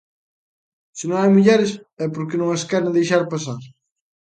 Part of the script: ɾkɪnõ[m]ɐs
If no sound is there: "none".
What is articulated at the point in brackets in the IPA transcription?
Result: ŋ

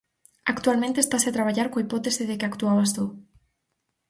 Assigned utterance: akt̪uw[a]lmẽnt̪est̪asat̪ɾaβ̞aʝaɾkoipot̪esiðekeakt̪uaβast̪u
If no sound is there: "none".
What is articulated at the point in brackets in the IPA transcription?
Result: a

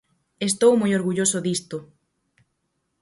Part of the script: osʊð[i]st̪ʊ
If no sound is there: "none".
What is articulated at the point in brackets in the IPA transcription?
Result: i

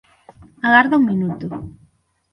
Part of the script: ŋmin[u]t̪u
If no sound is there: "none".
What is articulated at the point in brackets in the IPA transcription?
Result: u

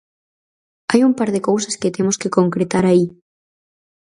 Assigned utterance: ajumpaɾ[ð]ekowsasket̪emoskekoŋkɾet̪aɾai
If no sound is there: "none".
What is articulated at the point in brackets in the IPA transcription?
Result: ð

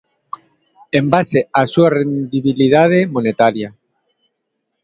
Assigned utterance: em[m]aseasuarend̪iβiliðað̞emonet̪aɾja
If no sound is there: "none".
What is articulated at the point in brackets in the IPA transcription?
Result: b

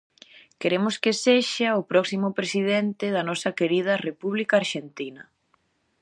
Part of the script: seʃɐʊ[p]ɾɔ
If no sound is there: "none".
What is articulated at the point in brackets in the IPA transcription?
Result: p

